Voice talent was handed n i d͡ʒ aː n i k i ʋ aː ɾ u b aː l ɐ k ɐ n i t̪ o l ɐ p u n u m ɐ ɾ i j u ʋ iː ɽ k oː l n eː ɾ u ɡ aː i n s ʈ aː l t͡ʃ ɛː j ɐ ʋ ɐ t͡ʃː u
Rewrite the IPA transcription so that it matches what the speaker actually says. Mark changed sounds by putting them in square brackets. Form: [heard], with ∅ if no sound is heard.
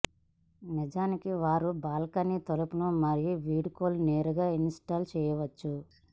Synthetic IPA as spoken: n i d͡ʒ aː n i k i ʋ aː ɾ u b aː l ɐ k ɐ n i t̪ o l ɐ p u n u m ɐ ɾ i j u ʋ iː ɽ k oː l n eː ɾ u ɡ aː i n s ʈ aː l t͡ʃ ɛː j ɐ ʋ ɐ t͡ʃː u